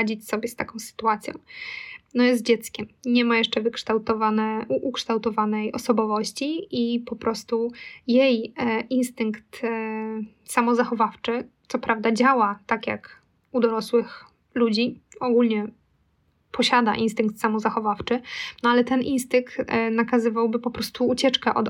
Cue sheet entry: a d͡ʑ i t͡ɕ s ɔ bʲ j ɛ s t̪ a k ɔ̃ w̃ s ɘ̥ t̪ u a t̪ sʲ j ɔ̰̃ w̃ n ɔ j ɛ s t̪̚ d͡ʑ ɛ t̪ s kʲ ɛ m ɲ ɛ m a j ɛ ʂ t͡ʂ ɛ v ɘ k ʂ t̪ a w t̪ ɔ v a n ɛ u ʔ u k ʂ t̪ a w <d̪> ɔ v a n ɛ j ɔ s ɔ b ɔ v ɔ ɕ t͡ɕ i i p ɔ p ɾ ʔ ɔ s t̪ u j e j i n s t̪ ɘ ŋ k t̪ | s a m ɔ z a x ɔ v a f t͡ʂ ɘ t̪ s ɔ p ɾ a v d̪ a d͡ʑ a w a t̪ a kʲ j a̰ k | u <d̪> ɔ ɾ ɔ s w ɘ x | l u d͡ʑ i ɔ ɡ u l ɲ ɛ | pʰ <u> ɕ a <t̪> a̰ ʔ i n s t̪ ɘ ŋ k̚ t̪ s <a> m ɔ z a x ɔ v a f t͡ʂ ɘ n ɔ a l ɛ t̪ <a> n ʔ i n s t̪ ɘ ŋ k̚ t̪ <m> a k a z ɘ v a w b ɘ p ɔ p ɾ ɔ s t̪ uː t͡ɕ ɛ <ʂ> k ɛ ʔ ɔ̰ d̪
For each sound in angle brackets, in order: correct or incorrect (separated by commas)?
incorrect, correct, incorrect, incorrect, correct, incorrect, incorrect, incorrect